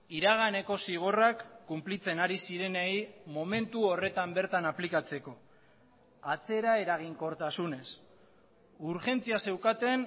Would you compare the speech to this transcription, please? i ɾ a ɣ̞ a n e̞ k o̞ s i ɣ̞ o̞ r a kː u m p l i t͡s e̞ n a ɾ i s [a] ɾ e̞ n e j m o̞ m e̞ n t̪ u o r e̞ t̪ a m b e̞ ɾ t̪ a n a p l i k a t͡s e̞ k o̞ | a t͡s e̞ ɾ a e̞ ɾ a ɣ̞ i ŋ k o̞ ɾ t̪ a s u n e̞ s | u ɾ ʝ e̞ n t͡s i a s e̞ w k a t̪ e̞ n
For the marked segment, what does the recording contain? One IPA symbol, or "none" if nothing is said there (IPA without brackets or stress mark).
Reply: i